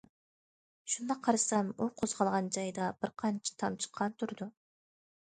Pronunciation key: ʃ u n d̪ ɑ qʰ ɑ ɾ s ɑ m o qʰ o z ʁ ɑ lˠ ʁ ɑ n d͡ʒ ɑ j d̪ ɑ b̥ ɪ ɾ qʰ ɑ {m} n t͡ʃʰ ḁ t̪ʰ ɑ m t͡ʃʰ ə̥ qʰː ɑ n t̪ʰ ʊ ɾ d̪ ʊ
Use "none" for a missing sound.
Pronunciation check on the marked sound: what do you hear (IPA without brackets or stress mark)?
none